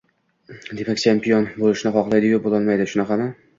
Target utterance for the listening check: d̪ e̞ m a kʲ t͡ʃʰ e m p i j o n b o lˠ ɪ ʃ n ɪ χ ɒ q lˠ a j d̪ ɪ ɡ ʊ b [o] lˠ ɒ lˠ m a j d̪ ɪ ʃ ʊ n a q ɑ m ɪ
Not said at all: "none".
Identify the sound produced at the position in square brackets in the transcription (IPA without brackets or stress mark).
o